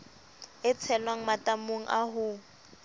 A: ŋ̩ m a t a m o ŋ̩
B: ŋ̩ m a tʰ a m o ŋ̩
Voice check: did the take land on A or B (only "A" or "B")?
A